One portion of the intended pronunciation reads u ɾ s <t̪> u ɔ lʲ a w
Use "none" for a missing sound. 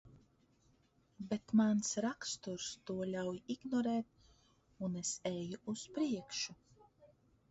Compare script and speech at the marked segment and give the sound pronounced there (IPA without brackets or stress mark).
t̪